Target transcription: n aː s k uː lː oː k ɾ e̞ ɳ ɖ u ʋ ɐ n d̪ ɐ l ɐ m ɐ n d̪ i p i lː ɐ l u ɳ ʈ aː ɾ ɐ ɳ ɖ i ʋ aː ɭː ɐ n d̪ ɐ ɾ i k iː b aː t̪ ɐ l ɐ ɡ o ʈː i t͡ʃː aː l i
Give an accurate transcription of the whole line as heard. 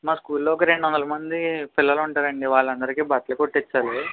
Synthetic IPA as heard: m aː s k uː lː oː k ɾ e̞ ɳ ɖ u ʋ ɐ n d̪ ɐ l ɐ m ɐ n d̪ i p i lː ɐ l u ɳ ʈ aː ɾ ɐ ɳ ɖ i ʋ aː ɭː ɐ n d̪ ɐ ɾ i k iː b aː t̪ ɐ l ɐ k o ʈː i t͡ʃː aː l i